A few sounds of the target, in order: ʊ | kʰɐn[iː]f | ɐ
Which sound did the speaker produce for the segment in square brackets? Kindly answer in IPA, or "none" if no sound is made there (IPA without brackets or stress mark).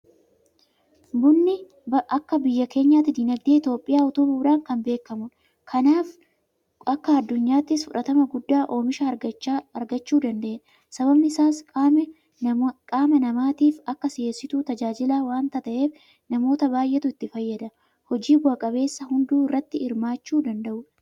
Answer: aː